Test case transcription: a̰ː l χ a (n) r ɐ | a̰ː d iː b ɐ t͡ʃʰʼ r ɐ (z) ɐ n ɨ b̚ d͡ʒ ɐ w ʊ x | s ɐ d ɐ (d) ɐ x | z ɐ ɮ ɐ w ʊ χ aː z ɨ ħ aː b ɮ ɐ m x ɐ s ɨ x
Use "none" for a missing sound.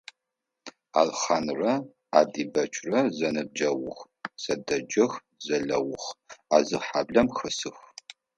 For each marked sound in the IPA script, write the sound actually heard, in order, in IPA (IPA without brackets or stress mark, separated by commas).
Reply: n, z, d͡ʒ